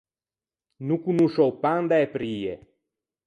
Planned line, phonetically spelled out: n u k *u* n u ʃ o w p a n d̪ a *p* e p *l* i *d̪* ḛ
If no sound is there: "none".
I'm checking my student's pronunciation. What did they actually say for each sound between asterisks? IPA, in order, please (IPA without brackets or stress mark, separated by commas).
u, none, ɾ, none